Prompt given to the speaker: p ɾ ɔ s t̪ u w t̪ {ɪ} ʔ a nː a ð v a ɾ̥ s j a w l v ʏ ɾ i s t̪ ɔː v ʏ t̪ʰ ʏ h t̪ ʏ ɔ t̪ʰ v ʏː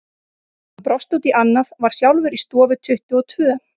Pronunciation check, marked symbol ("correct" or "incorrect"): incorrect